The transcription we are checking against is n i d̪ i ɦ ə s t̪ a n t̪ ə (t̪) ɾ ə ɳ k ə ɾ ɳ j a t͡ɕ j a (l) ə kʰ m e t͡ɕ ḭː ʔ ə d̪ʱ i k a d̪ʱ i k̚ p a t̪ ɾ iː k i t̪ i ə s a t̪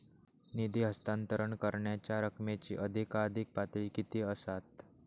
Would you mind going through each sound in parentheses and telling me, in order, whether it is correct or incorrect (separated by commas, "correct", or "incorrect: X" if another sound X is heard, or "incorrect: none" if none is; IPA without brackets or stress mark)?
incorrect: none, incorrect: ɾ